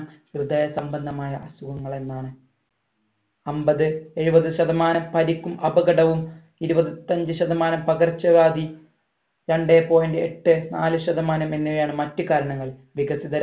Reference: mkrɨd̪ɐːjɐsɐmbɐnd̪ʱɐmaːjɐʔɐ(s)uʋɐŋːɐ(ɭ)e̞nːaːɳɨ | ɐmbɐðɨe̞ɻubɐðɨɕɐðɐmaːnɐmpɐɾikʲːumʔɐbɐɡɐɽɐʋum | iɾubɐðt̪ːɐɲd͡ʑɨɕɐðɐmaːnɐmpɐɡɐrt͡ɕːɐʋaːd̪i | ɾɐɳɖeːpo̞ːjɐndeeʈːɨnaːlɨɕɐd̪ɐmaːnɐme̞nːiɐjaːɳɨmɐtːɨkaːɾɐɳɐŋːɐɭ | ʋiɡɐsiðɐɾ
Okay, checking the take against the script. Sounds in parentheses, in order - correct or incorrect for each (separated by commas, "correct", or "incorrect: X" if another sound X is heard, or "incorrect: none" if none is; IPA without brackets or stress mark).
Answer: correct, correct